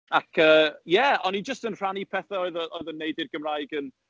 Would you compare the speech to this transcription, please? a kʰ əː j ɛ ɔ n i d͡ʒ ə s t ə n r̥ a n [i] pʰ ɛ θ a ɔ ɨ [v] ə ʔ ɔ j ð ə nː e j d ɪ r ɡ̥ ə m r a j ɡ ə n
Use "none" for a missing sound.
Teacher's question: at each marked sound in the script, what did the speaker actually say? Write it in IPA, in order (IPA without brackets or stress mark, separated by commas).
i, ð